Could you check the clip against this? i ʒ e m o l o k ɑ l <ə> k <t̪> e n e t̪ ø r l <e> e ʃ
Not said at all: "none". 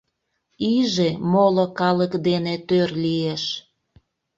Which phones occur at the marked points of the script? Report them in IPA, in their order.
ə, d̪, i

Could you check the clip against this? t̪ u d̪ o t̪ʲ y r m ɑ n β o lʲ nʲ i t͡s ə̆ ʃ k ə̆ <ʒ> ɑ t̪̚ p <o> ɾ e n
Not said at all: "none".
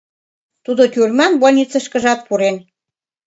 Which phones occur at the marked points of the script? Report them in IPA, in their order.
ʒ, u

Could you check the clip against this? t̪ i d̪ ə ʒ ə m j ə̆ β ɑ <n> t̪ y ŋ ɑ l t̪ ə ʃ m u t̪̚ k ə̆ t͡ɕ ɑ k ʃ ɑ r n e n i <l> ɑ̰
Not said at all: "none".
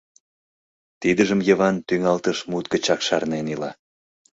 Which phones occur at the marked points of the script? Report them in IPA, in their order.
n, l

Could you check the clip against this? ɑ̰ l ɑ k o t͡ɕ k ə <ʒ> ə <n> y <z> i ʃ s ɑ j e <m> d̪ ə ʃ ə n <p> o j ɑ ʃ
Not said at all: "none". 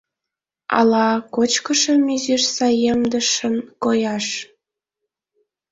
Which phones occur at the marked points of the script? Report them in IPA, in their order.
ʃ, m, z, m, k

